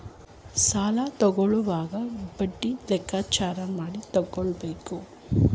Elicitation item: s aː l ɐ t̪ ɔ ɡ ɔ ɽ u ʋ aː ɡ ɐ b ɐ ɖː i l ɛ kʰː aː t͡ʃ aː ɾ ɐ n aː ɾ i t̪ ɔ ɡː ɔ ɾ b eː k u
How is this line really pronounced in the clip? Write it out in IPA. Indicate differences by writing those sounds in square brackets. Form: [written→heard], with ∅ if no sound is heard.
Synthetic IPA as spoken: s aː l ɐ t̪ ɔ ɡ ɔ [ɽ→ɭ] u ʋ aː ɡ ɐ b ɐ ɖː i l ɛ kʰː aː t͡ʃ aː ɾ ɐ [n→m] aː [ɾ→ɽ] i t̪ ɔ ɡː ɔ [ɾ→ɭ] b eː k u